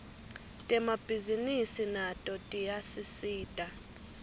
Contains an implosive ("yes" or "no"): no